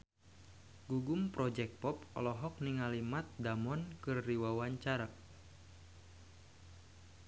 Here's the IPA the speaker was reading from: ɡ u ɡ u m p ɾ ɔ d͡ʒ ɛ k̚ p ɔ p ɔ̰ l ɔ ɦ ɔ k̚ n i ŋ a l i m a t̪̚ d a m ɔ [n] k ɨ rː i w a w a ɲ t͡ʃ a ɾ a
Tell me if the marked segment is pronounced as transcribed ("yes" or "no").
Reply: yes